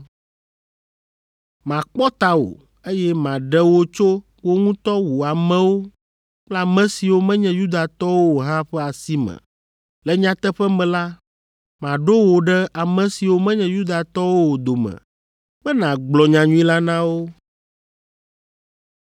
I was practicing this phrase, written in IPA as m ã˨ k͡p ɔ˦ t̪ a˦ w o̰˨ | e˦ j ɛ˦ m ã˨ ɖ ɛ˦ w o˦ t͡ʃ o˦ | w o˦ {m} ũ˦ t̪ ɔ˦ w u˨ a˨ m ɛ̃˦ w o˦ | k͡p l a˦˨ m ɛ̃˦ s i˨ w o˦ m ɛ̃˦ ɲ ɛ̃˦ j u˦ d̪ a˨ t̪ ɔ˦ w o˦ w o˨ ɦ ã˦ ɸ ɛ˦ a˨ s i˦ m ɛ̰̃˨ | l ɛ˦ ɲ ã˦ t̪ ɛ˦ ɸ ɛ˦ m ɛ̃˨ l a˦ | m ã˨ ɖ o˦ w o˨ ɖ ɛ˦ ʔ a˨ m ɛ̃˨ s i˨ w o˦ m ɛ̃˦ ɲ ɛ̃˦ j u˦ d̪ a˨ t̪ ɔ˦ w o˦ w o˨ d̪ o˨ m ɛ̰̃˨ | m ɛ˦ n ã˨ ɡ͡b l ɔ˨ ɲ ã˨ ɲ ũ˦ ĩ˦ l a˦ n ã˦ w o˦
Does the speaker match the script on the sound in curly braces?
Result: no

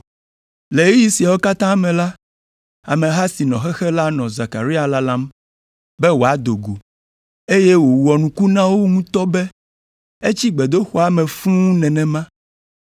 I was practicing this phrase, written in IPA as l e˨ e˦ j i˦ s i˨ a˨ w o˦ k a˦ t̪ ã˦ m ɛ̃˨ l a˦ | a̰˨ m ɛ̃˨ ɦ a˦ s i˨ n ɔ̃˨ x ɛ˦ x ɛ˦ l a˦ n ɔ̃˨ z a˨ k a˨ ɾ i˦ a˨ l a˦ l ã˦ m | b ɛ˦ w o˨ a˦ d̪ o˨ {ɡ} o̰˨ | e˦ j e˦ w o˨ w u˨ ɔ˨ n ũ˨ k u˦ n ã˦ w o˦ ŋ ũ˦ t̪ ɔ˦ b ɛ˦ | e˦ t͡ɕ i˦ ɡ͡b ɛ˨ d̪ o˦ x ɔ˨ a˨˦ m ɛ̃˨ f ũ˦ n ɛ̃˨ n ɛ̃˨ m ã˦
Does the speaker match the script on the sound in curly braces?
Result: yes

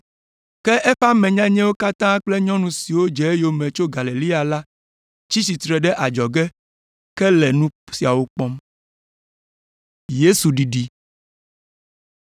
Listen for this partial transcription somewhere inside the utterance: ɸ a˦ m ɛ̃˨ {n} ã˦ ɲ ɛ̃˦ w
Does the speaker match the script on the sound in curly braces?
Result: no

